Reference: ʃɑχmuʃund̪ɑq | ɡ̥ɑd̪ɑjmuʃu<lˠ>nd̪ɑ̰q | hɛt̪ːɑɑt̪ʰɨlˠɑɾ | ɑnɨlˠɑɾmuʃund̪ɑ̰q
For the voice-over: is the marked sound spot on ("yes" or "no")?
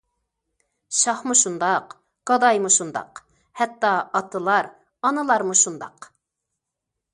no